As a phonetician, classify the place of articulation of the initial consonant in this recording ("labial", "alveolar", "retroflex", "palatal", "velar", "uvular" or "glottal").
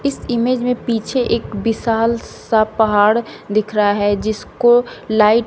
alveolar